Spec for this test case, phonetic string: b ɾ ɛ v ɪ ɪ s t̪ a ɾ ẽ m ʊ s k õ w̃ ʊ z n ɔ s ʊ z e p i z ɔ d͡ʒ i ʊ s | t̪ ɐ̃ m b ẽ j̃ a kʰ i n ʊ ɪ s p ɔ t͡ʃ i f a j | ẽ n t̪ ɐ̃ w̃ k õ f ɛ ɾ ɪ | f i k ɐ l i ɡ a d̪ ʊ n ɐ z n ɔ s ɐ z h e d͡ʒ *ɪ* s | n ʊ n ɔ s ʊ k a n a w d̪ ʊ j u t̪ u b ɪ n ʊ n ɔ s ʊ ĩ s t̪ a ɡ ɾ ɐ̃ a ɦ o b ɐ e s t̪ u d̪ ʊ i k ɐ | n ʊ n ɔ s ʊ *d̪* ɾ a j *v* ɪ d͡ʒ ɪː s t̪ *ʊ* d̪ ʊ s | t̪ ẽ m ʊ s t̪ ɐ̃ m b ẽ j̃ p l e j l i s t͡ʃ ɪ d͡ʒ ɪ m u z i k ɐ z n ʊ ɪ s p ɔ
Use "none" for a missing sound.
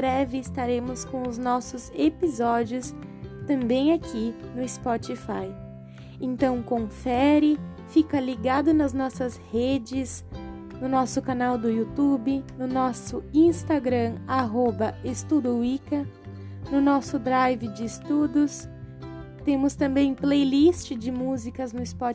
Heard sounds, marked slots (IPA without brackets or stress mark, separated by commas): ɪ, d̪, v, u